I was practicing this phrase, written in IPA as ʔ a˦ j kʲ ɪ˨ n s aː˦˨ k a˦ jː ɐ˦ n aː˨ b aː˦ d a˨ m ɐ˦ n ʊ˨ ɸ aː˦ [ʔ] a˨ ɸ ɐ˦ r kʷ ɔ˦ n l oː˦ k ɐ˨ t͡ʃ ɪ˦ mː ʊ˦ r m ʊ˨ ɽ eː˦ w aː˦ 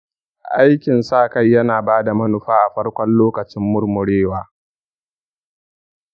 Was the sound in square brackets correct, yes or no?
yes